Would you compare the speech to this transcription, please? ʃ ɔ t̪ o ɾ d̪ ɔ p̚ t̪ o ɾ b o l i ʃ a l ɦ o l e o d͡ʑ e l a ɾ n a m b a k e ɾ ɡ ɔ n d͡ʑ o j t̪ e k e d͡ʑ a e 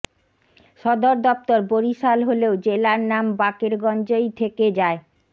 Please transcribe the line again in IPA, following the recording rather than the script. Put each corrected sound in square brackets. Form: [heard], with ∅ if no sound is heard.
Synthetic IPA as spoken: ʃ ɔ [d̪] o ɾ d̪ ɔ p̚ t̪ o ɾ b o [ɾ] i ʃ a l ɦ o l e o d͡ʑ e l a ɾ n a m b a k e ɾ ɡ ɔ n d͡ʑ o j [t̪ʰ] e k e d͡ʑ a e